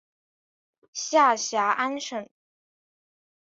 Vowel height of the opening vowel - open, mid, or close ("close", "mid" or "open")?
open